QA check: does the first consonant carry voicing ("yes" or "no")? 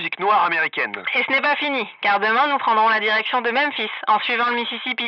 yes